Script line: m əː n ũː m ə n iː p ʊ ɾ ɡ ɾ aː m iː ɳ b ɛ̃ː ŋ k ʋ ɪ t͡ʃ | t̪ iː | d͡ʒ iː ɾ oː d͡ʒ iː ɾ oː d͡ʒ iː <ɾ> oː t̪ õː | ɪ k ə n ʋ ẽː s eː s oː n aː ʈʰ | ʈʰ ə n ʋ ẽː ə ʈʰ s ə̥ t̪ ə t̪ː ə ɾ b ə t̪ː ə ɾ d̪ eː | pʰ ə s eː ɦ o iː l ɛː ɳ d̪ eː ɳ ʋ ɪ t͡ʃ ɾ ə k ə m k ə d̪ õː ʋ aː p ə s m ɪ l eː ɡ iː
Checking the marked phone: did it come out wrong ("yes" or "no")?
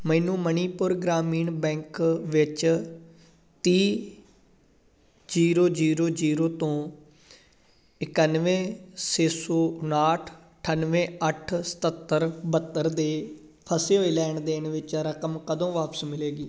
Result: no